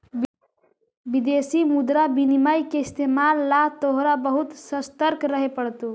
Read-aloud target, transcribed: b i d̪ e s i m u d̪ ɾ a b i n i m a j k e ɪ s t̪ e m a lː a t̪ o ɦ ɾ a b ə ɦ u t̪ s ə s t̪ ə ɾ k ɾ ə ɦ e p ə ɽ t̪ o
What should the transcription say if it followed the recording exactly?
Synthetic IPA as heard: b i d̪ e s i m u d̪ ɾ a b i n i m a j k e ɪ s t̪ e m a lː a t̪ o ɦ ɾ a b ə ɦ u t̪ s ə s t̪ ə ɾ k ɾ ə ɦ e p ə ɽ t̪ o